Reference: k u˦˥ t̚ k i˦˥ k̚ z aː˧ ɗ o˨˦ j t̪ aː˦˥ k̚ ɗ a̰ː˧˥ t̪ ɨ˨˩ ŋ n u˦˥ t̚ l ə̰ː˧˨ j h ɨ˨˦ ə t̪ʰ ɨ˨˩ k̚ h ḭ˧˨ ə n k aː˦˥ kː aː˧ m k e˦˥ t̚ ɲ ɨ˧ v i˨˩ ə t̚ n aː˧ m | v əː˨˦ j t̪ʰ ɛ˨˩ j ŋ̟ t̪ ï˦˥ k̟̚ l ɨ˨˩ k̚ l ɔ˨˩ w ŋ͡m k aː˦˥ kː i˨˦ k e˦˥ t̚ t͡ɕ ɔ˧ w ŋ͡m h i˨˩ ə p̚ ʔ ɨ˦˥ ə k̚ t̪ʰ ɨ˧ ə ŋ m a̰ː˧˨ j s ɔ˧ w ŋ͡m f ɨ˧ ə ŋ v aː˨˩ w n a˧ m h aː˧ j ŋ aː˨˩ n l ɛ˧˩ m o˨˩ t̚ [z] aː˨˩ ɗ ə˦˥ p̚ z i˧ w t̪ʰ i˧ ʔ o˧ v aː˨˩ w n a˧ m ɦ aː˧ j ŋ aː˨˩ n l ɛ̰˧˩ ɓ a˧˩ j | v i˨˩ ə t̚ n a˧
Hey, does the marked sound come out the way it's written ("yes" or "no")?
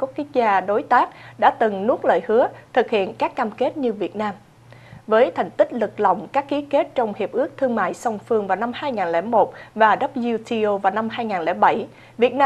no